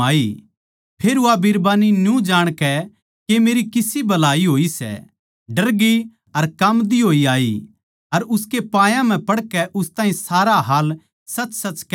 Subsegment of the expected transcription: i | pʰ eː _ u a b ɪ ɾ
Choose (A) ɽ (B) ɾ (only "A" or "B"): B